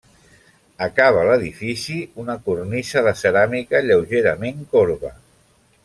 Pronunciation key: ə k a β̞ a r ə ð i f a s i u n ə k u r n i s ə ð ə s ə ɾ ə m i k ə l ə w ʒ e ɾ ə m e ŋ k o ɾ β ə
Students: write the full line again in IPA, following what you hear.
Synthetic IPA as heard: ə k a β̞ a l ə ð i f i s i u n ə k u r n i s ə ð ə s ə ɾ a m i k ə ʎ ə w ʒ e ɾ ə m e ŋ k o ɾ β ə

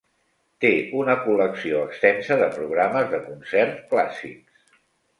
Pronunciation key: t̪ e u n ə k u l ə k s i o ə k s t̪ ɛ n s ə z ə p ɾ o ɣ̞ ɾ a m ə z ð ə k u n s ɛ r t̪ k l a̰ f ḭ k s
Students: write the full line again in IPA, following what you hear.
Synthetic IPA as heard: t̪ e u n ə k u l ə k s i o ə k s t̪ ɛ n s ə ð ə p ɾ u ɣ̞ ɾ a m ə z ð ə k u n s ɛ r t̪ k l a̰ s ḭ k s

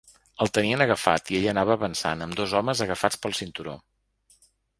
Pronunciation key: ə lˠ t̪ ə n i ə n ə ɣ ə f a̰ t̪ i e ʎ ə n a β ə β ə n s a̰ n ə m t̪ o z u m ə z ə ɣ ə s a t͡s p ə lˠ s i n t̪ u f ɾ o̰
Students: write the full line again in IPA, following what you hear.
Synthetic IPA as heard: ə lˠ t̪ ə n i ə n ə ɣ ə f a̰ t̪ i e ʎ ə n a β ə β ə n s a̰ n ə m d̪ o z ɔ m ə z ə ɣ ə f a t͡s p ə lˠ s i n t̪ u ɾ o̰

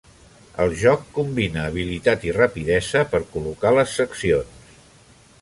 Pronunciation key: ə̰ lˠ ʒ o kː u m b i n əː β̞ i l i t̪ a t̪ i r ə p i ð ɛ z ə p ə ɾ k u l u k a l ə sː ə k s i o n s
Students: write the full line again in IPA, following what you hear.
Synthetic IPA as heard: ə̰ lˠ ʒ ɔ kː u m b i n əː β̞ i l i t̪ a t̪ i r ə p i ð ɛ z ə p ə ɾ k u l u k a l ə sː ə k s i o n s

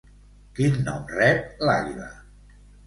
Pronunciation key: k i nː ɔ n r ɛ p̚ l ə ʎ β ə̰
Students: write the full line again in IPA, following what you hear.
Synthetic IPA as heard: k i nː ɔ m r ɛ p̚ l a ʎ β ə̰

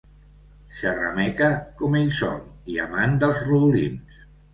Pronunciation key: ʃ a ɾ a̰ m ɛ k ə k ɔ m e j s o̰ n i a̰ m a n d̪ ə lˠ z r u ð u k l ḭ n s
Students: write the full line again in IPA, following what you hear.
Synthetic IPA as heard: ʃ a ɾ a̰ m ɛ k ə k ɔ m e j s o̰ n i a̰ m a n d̪ ə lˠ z r u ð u l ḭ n s

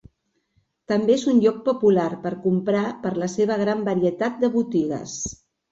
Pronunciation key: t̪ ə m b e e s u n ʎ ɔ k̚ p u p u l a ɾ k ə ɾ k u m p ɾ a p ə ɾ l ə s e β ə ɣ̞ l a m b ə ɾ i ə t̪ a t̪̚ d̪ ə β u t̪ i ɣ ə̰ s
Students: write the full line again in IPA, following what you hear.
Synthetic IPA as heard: t̪ ə m b e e z u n ʎ ɔ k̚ p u p u l a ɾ p ə ɾ k u m p ɾ a p ə ɾ l ə s e β ə ɣ̞ ɾ a m b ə ɾ i ə t̪ a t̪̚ d̪ ə β u t̪ i ɣ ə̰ s

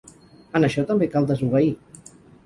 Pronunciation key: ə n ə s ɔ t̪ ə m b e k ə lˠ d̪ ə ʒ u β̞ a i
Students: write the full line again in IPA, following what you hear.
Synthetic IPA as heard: ə n ə ʃ ɔ t̪ ə m b e k a lˠ d̪ ə z u β̞ ə i

